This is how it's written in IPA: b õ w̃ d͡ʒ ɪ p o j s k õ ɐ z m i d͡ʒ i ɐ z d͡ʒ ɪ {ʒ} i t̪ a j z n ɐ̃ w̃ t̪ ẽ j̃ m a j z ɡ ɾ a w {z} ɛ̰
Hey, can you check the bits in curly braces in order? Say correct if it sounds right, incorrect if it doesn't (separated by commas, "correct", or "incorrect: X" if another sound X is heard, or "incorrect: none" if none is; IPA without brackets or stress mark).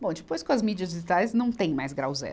correct, correct